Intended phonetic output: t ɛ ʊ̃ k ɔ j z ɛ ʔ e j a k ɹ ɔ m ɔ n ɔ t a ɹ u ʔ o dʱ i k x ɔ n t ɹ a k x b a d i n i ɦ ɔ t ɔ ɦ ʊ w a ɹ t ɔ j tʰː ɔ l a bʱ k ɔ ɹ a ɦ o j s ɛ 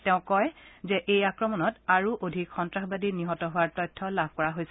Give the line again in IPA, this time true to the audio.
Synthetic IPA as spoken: t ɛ ʊ̃ k ɔ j z ɛ ʔ e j a k ɹ ɔ m ɔ n ɔ t a ɹ u ʔ o dʱ i k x ɔ n t ɹ a x b a d i n i ɦ ɔ t ɔ ɦ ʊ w a ɹ t ɔ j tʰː ɔ l a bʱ k ɔ ɹ a ɦ o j s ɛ